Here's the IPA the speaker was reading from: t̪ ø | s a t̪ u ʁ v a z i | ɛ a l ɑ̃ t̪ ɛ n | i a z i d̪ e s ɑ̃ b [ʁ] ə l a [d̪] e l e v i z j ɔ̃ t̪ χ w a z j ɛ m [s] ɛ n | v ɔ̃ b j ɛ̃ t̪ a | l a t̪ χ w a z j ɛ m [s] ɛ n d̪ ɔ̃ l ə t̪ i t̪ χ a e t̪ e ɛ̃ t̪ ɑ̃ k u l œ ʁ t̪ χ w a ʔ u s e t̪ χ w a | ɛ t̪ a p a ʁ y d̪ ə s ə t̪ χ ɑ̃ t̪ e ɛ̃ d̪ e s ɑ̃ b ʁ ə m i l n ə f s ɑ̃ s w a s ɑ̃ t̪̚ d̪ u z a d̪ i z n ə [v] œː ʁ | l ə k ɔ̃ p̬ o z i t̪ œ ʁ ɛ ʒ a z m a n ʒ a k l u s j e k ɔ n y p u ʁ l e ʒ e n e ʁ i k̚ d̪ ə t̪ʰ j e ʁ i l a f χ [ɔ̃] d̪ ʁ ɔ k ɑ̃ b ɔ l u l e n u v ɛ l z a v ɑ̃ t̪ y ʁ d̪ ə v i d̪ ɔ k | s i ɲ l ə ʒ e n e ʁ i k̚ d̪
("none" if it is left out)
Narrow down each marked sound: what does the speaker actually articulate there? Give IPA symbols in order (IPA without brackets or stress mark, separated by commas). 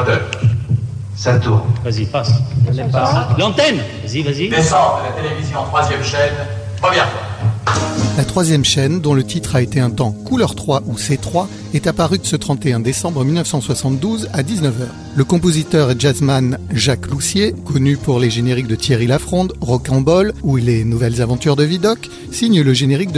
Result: ʁ, t̪, ʃ, ʃ, v, ɔ̃